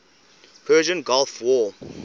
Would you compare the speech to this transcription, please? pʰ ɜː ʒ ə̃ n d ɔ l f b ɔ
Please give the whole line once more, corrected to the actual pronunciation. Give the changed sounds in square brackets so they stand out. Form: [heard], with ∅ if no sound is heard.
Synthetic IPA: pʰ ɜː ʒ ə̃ n [ɡ] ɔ l f [w] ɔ